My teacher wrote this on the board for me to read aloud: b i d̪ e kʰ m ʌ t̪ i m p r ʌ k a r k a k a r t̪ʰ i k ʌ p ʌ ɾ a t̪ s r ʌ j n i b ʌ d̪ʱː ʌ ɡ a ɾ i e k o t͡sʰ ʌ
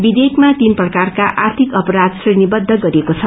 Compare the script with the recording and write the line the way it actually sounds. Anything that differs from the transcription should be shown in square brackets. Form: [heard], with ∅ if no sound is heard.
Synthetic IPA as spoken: b i d̪ e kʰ m [a] t̪ i [n] p r ʌ k a r k a [ʔ] a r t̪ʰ i k ʌ p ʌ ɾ a [d̪] s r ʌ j n i b ʌ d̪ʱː ʌ ɡ [ʌ] ɾ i e k o t͡sʰ ʌ